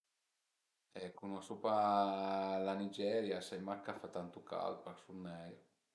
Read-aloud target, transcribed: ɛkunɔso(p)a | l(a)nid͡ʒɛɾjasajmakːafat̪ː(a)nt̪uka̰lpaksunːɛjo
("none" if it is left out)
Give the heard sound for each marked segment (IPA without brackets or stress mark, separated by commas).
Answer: p, a, a